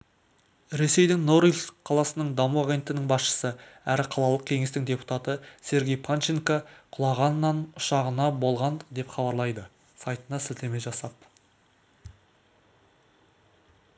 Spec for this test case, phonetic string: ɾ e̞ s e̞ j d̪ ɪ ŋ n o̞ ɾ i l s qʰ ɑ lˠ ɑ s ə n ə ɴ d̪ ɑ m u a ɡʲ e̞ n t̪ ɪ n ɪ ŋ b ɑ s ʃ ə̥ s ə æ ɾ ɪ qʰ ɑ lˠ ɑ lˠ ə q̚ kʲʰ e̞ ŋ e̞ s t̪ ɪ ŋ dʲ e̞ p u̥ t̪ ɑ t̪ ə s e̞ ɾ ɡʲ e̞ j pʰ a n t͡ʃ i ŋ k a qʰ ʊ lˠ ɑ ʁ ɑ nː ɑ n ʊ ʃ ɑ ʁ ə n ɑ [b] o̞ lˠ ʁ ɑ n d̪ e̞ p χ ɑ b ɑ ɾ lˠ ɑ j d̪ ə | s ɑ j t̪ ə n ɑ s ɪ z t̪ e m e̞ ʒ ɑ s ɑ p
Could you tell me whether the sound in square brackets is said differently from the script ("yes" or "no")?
no